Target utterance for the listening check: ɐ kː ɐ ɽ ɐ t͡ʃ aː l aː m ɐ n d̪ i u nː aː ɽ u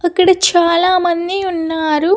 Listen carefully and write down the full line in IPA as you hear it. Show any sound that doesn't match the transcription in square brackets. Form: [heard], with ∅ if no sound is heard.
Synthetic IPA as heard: ɐ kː ɐ ɽ ɐ t͡ʃ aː l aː m ɐ n d̪ i u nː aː [ɾ] u